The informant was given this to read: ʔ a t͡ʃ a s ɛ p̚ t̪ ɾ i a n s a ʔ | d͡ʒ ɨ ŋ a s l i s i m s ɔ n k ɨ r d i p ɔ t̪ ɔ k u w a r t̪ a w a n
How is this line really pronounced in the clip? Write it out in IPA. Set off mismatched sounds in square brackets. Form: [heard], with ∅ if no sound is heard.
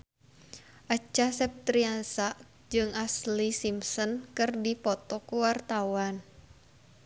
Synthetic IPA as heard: ʔ a t͡ʃ a s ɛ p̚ t̪ ɾ i a n s a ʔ | d͡ʒ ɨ ŋ a s l i s i m s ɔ n k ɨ r d i p ɔ t̪ ɔ k u w a r t̪ a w a n